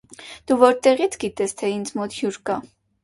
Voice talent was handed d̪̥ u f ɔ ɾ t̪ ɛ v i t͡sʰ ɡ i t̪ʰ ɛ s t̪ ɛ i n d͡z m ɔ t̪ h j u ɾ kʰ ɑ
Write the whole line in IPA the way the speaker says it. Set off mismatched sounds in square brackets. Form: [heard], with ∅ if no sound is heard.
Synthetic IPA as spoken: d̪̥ u [v] ɔ ɾ t̪ ɛ [ʁ] i t͡sʰ ɡ i [t̪] ɛ s [t̪ʰ] ɛ i n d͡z m ɔ t̪ h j u ɾ [k] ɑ